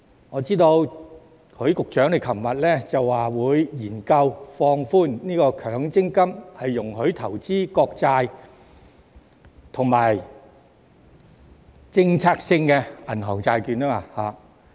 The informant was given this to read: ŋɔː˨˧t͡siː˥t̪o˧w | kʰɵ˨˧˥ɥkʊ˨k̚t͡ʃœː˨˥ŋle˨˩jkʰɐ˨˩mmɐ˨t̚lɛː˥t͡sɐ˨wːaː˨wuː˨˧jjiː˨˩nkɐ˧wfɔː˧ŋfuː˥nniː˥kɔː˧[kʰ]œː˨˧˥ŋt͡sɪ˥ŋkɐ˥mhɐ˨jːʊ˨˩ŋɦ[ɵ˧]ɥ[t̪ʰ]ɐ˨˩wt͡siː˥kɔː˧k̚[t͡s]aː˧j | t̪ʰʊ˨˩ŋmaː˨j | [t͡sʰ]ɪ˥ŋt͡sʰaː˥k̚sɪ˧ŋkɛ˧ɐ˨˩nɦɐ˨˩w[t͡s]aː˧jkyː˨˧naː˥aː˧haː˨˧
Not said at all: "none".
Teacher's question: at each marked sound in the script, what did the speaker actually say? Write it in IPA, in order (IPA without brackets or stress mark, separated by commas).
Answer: kʰ, ɵ˨˥, t̪ʰ, t͡s, t͡s, t͡s